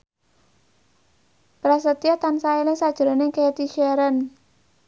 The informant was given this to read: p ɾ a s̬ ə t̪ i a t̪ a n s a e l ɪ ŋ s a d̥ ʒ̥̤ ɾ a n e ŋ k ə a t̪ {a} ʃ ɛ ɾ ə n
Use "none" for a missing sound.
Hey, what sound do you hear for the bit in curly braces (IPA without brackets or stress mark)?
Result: i